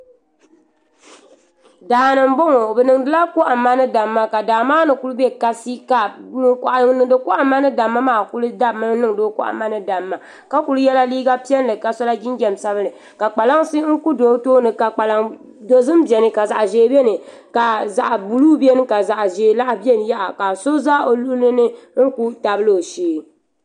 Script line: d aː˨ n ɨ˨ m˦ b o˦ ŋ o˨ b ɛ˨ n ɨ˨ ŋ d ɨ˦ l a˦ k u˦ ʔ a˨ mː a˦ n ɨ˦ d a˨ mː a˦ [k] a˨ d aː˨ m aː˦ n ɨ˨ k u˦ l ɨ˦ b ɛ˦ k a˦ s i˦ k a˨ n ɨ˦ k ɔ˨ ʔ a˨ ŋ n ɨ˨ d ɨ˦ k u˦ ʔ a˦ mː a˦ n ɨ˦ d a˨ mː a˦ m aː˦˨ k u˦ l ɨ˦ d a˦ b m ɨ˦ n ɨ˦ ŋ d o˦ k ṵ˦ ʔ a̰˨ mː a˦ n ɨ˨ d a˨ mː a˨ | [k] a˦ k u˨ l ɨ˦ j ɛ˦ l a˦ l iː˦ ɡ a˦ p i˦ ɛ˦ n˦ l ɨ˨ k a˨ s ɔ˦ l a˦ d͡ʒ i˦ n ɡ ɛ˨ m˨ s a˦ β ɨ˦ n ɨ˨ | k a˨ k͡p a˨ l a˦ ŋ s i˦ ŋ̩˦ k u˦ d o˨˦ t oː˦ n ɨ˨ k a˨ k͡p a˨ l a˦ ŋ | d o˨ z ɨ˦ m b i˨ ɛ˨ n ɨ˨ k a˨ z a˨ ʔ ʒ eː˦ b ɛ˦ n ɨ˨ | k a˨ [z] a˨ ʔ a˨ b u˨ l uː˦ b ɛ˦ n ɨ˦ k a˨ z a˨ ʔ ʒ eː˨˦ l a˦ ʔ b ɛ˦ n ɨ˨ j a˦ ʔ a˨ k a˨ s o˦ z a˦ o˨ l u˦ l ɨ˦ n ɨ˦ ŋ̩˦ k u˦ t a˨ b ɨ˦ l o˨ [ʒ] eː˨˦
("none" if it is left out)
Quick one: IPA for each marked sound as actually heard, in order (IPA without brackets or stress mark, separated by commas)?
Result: k, k, z, ʃ